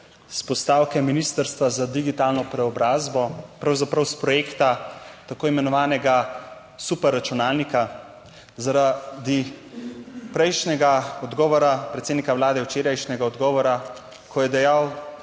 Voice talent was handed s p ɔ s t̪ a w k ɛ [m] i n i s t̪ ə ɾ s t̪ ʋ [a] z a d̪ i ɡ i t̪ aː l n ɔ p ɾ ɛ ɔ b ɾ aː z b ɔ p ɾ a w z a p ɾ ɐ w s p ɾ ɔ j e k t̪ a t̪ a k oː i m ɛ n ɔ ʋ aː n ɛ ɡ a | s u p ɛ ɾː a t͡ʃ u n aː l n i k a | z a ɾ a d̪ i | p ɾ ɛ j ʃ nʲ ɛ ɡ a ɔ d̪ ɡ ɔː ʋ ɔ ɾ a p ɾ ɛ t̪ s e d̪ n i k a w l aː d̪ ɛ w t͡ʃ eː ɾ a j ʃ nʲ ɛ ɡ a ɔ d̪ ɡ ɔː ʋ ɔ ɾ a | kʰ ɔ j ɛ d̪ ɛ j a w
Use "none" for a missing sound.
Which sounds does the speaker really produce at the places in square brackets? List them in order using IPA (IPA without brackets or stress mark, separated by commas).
m, a